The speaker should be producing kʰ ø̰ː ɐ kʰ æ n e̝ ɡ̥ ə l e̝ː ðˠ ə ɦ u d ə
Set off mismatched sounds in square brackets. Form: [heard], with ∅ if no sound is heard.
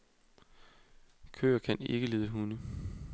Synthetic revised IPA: kʰ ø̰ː ɐ kʰ æ n e̝ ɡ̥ ə l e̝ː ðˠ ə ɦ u [n] ə